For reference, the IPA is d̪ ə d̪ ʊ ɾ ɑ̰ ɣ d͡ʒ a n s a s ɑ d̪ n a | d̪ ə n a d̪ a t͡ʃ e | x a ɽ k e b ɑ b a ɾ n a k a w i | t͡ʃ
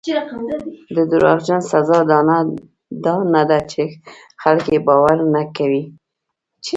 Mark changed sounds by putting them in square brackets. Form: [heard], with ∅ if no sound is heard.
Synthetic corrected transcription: d̪ ə d̪ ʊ ɾ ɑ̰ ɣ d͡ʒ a n s a [z] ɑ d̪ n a | d̪ [ɑ] n a d̪ a t͡ʃ e | x a [l] k e b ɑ [w] a ɾ n a k a w i | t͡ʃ